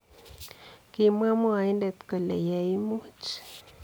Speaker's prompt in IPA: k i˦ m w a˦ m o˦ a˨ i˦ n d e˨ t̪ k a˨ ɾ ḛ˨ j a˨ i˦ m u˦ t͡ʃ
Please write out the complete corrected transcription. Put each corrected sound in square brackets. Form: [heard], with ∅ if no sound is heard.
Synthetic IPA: k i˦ m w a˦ m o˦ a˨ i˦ n d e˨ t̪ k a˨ [l] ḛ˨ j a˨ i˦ m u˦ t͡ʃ